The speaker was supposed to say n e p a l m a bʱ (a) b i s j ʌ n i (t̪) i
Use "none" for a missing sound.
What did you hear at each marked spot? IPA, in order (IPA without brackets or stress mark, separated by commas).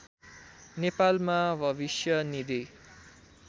ʌ, d̪